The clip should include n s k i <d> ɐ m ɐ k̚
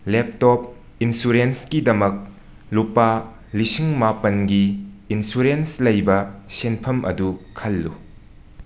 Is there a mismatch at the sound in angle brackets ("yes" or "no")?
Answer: no